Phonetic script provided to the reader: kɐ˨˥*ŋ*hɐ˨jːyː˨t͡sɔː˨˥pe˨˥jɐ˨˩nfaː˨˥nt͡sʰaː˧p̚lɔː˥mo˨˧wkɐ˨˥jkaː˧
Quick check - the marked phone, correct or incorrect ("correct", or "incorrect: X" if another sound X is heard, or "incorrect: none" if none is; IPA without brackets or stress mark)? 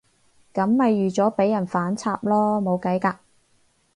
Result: incorrect: m